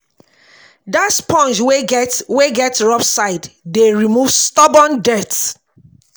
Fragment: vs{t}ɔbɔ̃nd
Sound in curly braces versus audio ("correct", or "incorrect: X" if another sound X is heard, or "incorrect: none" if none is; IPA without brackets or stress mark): correct